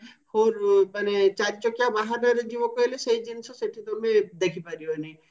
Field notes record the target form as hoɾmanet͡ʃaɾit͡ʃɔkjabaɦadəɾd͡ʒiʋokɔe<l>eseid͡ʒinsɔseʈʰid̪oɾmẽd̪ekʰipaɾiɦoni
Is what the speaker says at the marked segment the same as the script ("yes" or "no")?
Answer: yes